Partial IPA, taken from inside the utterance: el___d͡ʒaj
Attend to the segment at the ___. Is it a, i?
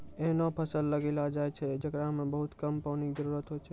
a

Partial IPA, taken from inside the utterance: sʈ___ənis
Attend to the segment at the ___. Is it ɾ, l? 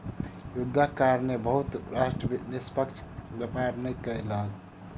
ɾ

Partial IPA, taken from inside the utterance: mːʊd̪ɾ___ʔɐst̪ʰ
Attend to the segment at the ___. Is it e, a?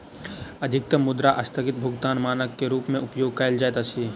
a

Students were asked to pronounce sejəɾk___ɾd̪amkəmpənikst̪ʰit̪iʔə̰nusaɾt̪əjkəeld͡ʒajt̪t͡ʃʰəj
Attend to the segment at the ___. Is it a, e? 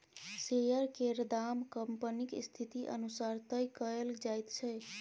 e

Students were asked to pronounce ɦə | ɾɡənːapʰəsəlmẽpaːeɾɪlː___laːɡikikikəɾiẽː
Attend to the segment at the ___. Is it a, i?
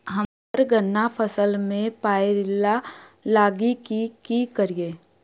a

